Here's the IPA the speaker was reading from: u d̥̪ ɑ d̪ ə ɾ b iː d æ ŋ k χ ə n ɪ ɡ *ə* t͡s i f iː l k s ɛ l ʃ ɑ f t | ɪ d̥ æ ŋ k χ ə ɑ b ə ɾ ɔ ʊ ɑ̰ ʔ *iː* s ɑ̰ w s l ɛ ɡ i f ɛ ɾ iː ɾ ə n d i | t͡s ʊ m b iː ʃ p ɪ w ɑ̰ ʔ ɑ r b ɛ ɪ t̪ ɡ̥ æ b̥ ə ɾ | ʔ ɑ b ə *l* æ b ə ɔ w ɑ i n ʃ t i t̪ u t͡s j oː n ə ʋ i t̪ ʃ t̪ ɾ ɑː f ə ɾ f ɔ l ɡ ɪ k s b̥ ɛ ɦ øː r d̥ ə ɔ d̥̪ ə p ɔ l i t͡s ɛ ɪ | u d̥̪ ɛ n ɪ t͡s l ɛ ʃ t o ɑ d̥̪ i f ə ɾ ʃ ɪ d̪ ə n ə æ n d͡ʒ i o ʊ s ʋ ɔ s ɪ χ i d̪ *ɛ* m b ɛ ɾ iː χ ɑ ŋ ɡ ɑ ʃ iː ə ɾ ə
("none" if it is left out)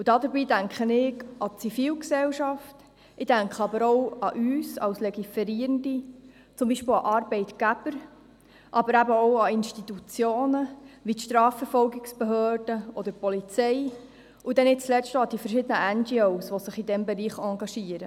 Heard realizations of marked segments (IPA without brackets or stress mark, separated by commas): ɑ, yː, ɾ, ɛ